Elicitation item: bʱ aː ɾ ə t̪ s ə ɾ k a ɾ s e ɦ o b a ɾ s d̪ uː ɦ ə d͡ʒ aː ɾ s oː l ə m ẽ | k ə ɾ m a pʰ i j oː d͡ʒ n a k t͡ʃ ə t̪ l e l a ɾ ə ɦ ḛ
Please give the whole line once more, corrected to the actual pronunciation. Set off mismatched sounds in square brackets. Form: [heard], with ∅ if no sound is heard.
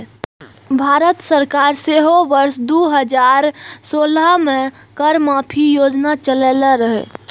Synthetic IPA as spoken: bʱ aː ɾ ə t̪ s ə ɾ k a ɾ s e ɦ o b [ə] ɾ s d̪ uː ɦ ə d͡ʒ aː ɾ s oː l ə m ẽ | k ə ɾ m a pʰ i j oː d͡ʒ n a [∅] t͡ʃ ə [∅] l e l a ɾ ə ɦ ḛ

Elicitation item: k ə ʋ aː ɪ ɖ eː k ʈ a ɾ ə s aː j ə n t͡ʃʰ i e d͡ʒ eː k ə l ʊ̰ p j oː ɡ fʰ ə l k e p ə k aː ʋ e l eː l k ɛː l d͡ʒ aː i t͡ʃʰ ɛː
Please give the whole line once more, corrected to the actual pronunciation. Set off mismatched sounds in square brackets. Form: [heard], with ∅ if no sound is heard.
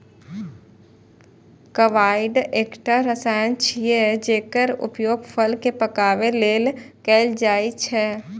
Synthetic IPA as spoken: k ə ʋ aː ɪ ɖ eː k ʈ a ɾ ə s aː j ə n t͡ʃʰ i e d͡ʒ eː k ə [ɾ] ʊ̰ p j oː ɡ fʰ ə l k e p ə k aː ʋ e l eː l k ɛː l d͡ʒ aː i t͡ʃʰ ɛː

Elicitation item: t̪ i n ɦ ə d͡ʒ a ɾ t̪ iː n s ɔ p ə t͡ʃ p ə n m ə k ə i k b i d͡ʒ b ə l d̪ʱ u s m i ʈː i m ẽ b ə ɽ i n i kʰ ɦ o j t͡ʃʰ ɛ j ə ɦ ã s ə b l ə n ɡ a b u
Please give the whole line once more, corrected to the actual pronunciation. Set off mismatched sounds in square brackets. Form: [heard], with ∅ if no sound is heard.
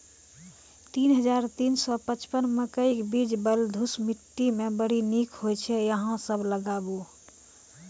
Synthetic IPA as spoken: t̪ i n ɦ ə d͡ʒ a ɾ t̪ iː n s ɔ p ə t͡ʃ p ə n m ə k ə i k b i d͡ʒ b ə l d̪ʱ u s m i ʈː i m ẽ b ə ɽ i n i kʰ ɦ o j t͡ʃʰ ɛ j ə ɦ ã s ə b l ə [∅] ɡ a b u

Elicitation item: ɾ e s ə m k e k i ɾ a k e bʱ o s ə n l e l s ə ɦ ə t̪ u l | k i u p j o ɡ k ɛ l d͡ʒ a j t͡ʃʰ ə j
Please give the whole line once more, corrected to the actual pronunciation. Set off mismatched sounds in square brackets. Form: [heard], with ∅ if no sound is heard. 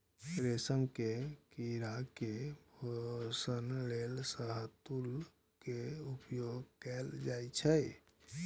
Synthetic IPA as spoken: ɾ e s ə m k e k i ɾ a k e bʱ o s ə n l e l s ə ɦ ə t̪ u l | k [e] u p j o ɡ k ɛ l d͡ʒ a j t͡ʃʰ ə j

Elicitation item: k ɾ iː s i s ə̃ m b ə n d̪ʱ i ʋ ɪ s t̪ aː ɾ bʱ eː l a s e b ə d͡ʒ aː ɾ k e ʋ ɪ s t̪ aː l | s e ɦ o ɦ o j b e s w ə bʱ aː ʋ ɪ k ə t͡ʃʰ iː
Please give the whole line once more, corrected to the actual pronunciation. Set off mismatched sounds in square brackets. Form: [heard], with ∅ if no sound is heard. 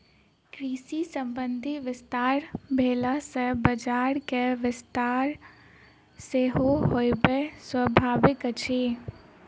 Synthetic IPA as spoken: k ɾ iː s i s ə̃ m b ə n d̪ʱ i ʋ ɪ s t̪ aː ɾ bʱ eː l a s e b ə d͡ʒ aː ɾ k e ʋ ɪ s t̪ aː [ɾ] | s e ɦ o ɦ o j b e s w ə bʱ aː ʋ ɪ k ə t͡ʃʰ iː

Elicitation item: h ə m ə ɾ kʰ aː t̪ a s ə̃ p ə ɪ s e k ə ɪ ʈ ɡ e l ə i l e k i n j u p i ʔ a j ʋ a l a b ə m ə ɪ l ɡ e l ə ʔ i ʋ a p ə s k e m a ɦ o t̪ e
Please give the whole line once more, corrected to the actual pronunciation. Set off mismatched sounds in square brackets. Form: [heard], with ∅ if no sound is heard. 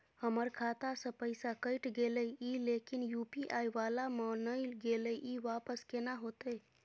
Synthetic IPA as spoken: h ə m ə ɾ kʰ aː t̪ a s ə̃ p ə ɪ s [a] k ə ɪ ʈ ɡ e l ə i l e k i n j u p i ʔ a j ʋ a l a [m] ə [n] ə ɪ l ɡ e l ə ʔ i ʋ a p ə s k e [n] a ɦ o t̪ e

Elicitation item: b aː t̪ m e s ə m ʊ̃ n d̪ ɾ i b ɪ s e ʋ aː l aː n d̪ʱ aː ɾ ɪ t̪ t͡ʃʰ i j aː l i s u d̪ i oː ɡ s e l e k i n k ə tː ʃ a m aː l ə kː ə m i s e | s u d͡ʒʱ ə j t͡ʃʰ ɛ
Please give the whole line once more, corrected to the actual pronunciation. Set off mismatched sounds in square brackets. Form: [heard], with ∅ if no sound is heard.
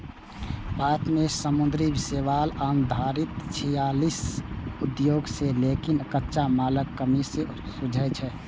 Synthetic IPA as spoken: b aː t̪ m e s ə m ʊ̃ n d̪ ɾ i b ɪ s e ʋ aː l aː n d̪ʱ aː ɾ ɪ t̪ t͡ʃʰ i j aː l i s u d̪ [j] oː ɡ s e l e k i n k ə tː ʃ a m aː l ə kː ə m i s e | s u d͡ʒʱ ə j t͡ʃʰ ɛ

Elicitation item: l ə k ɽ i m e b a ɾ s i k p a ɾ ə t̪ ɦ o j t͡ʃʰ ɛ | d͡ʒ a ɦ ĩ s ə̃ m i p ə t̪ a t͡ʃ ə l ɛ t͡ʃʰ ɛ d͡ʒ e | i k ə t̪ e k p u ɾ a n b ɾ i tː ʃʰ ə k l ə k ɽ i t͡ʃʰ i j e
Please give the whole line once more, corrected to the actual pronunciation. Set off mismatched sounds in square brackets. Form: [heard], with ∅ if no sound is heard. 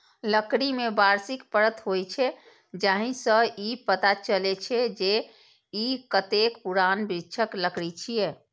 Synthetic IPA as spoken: l ə k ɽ i m e b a ɾ s i k p [ə] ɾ ə t̪ ɦ o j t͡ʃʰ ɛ | d͡ʒ a ɦ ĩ s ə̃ [∅] i p ə t̪ a t͡ʃ ə l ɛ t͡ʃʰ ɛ d͡ʒ e | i k ə t̪ e k p u ɾ a n b ɾ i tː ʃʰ ə k l ə k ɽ i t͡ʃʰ i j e

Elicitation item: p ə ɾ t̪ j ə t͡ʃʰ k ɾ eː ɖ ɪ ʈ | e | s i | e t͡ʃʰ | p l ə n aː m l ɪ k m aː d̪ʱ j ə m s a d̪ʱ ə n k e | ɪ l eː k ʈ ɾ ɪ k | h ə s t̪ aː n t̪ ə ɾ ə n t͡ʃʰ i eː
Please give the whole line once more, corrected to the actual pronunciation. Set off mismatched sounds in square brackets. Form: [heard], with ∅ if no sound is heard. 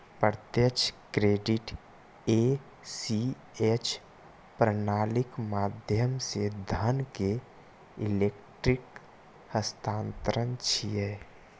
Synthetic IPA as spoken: p ə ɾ t̪ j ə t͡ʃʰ k ɾ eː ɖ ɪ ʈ | e | s i | e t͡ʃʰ | p [ɾ] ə n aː [∅] l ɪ k m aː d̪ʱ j ə m s [e] d̪ʱ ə n k e | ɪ l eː k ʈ ɾ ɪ k | h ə s t̪ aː n t̪ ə ɾ ə n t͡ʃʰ i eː

